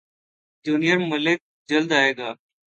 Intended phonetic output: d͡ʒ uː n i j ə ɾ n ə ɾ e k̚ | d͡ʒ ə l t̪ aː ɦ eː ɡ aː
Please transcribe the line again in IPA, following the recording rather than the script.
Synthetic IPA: d͡ʒ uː n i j ə ɾ m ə l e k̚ | d͡ʒ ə l d̪ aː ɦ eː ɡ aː